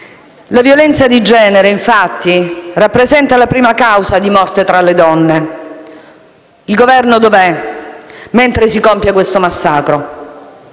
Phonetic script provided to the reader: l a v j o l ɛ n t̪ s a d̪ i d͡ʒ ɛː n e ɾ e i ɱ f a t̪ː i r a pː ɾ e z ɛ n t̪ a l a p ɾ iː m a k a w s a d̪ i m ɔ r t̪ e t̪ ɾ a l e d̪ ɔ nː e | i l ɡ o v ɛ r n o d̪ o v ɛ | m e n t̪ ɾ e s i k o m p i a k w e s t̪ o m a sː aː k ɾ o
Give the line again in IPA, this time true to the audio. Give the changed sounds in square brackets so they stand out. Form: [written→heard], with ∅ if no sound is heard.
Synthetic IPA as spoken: l a v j o l ɛ n t̪ s a d̪ i d͡ʒ ɛː n e ɾ e i ɱ f a t̪ː i r a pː ɾ e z ɛ n t̪ a l a p ɾ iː m a k a w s a d̪ i m ɔ r t̪ e t̪ ɾ a l e d̪ ɔ nː e | i l ɡ o v ɛ r n o d̪ o v ɛ | m e n t̪ ɾ e s i k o m p [i→j] a k w e s t̪ o m a sː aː k ɾ o